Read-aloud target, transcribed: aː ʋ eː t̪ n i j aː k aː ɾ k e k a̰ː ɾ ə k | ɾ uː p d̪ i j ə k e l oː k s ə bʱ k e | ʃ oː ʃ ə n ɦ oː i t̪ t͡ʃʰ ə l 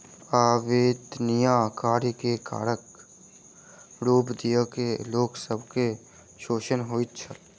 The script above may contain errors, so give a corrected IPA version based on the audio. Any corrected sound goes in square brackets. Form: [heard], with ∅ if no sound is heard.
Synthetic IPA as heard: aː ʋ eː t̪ n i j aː k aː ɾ k e k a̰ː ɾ ə k | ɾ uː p d̪ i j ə k e l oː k s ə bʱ k e | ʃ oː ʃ ə n ɦ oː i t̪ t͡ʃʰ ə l